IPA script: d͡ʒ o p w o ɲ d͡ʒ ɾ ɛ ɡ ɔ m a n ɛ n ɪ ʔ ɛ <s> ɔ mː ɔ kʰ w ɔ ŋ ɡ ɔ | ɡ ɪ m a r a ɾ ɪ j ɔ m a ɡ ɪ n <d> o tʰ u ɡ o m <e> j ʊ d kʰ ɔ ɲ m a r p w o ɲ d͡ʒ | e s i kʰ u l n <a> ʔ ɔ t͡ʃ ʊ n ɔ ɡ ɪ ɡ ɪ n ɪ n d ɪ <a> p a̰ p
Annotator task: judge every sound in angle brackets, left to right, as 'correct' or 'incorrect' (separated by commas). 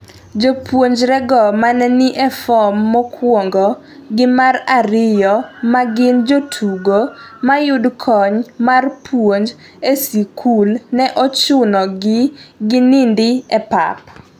incorrect, incorrect, incorrect, incorrect, incorrect